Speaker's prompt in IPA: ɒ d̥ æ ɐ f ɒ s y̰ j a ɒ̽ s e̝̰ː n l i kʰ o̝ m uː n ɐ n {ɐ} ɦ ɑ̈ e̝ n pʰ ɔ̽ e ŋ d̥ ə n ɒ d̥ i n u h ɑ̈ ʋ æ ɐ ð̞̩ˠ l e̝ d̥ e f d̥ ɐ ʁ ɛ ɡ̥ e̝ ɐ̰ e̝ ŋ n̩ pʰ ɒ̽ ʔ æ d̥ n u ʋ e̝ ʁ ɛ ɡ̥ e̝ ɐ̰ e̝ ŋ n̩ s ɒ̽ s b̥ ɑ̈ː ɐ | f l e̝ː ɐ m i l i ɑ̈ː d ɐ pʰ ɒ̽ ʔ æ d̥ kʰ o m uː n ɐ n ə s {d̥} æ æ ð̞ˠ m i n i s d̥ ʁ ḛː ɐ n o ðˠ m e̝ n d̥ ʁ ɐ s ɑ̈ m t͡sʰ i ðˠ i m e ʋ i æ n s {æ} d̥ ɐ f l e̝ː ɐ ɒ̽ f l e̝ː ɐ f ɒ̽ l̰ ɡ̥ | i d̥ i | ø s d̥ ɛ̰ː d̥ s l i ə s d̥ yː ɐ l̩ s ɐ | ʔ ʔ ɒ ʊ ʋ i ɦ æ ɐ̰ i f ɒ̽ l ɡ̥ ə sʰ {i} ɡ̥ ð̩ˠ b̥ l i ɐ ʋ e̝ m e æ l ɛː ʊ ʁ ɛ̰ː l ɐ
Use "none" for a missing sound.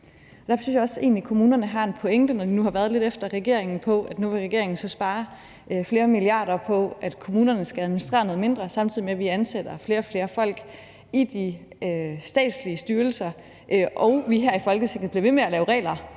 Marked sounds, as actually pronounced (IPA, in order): ə, ɡ̥, e, e

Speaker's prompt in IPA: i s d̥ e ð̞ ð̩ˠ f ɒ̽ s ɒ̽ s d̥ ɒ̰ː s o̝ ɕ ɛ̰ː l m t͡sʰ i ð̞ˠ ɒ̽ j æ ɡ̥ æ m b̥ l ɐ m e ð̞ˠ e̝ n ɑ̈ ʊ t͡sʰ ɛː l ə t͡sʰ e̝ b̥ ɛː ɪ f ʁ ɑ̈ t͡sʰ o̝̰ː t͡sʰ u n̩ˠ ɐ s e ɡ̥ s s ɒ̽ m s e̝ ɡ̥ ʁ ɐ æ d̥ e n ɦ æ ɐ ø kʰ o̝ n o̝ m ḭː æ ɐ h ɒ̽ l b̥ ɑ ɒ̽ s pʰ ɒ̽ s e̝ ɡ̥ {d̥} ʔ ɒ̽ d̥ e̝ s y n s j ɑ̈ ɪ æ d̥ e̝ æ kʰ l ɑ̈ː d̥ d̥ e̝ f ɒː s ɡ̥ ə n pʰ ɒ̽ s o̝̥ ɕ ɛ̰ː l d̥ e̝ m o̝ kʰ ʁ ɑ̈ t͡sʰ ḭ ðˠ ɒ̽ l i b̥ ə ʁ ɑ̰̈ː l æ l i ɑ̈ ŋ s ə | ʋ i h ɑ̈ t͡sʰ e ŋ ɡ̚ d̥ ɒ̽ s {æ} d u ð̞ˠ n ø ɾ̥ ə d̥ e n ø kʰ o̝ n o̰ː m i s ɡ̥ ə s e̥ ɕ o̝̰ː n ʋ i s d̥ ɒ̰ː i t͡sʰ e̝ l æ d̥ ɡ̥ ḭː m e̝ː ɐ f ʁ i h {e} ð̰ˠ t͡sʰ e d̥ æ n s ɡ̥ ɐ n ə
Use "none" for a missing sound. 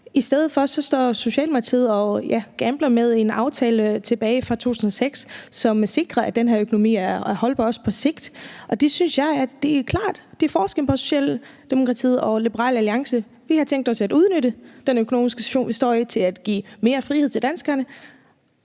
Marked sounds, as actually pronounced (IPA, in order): d̥, æ, e

